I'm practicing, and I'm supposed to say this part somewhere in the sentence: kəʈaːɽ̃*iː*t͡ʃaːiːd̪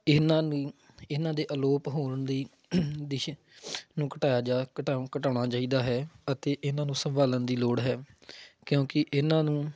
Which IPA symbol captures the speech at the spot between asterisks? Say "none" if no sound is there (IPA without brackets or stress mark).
aː